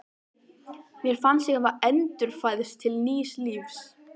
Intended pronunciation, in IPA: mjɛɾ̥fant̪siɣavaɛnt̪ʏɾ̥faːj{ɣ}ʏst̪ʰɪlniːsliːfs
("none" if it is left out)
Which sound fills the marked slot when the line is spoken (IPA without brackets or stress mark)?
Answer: ð